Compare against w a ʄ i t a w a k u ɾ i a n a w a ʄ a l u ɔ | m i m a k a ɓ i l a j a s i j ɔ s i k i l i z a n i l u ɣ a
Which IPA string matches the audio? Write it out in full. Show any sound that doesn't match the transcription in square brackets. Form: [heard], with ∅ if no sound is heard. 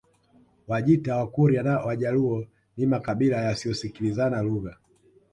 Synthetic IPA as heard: w a ʄ i t a w a k u ɾ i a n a w a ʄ a l u ɔ | [n] i m a k a ɓ i l a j a s i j ɔ s i k i l i z a n [a] l u ɣ a